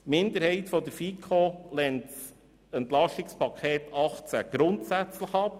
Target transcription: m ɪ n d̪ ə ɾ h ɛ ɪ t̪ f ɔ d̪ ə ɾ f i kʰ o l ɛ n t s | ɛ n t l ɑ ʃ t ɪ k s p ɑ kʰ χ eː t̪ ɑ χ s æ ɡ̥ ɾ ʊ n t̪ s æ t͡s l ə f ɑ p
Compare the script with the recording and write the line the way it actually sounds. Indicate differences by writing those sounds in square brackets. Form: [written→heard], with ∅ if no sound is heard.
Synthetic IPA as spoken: m ɪ n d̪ ə ɾ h ɛ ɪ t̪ f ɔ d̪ ə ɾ f i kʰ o l ɛ n t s | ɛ n t l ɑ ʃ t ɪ k s p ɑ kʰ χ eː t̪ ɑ χ [s→t͡s] æ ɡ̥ ɾ ʊ n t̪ s æ t͡s l ə [f→χ] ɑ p